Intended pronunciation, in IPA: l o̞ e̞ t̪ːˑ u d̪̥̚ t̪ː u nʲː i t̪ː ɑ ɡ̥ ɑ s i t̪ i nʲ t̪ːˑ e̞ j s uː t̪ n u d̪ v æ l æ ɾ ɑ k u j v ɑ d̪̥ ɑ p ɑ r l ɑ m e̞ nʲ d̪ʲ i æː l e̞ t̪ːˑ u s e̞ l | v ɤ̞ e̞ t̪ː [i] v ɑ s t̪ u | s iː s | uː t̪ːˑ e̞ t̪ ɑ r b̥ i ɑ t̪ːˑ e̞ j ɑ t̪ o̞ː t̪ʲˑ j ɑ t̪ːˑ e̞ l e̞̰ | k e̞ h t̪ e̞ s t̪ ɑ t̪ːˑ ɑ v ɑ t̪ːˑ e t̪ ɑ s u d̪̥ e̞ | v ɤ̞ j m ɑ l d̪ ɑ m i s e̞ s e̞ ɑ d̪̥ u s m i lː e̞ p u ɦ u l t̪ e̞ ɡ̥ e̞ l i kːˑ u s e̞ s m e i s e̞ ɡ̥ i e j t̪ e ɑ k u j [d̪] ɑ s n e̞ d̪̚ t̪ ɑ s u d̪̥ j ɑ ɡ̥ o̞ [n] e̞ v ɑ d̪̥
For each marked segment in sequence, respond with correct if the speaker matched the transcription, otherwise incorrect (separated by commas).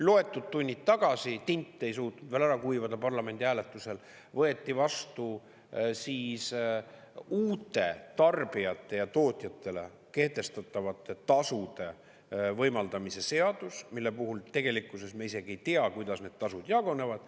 correct, correct, correct